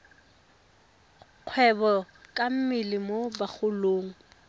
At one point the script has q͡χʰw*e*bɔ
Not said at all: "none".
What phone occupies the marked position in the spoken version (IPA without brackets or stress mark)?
ɛ